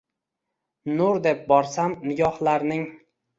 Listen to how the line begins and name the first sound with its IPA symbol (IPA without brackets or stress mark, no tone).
n